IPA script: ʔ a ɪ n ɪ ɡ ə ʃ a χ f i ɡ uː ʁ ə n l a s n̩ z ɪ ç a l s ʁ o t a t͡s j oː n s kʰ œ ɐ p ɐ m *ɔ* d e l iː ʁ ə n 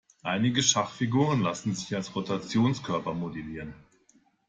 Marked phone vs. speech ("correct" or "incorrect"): incorrect